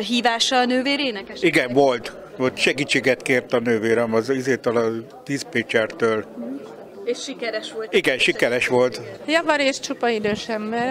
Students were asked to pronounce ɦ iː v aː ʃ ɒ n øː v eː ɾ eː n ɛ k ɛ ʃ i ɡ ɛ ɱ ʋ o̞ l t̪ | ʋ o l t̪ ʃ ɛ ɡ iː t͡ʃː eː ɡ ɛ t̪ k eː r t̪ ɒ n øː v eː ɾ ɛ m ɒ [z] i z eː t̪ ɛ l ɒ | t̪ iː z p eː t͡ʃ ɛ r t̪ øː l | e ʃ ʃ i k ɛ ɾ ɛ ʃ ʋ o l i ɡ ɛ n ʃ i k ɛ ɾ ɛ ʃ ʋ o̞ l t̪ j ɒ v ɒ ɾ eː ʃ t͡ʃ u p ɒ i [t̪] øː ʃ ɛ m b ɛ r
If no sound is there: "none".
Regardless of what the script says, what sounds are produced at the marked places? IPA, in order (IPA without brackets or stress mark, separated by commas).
z, d̪